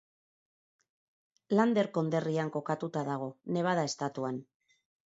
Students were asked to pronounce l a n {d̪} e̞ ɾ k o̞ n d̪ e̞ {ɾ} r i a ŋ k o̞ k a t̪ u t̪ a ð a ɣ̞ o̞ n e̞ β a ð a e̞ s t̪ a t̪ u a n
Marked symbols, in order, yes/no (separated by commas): yes, no